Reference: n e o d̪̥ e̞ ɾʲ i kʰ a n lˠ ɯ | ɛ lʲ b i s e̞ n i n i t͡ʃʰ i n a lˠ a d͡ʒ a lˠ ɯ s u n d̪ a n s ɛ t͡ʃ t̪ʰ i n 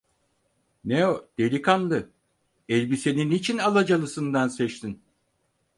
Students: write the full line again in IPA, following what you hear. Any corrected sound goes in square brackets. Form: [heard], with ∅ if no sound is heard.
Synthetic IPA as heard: n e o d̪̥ e̞ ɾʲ i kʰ a n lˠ ɯ | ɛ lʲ b i s e̞ n i n i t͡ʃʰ i n a lˠ a d͡ʒ a lˠ ɯ s [ɯ] n d̪ a n s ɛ t͡ʃ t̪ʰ i n